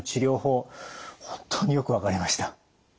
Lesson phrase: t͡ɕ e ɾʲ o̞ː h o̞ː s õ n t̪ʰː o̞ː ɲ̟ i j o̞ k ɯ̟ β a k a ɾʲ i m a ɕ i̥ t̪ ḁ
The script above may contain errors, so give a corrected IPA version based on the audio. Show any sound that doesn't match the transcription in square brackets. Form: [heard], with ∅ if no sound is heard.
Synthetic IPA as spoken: t͡ɕ [i] ɾʲ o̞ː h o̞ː [h] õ n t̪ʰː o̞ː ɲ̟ i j o̞ k ɯ̟ β a k a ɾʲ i m a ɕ i̥ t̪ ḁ